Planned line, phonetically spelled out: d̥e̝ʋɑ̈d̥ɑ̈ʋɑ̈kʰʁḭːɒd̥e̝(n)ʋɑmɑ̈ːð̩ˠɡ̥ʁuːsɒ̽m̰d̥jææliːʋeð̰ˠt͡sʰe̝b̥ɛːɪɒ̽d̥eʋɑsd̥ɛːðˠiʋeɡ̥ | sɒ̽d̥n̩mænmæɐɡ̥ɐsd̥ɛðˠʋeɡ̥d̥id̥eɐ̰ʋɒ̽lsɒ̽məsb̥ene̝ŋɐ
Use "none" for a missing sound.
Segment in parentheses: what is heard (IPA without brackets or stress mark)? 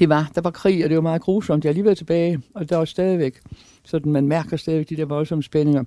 none